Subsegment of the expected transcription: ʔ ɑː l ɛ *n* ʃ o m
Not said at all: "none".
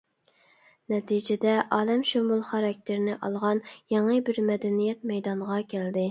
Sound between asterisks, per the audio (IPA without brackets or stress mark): m